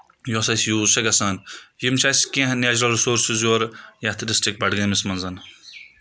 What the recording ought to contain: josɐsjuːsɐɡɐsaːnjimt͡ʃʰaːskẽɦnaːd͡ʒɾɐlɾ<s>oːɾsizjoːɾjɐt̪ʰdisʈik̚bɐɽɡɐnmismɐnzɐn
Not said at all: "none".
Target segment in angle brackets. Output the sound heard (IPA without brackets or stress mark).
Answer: s